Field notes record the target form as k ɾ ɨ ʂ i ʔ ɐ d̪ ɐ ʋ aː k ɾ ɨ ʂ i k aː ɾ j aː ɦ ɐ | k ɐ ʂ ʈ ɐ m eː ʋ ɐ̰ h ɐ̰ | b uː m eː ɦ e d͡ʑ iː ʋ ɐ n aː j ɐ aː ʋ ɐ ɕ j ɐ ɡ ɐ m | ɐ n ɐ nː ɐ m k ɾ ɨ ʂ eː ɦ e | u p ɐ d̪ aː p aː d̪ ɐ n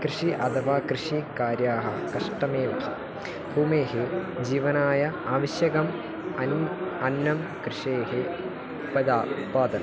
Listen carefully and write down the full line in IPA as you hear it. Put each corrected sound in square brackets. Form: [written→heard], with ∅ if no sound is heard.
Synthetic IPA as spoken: k ɾ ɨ ʂ i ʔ ɐ d̪ ɐ ʋ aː k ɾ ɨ ʂ i k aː ɾ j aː ɦ ɐ | k ɐ ʂ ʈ ɐ m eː ʋ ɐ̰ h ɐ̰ | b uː m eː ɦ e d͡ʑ iː ʋ ɐ n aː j ɐ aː ʋ ɐ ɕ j ɐ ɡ ɐ m | ɐ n ɐ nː ɐ m k ɾ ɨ ʂ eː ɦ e | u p ɐ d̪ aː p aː d̪ ɐ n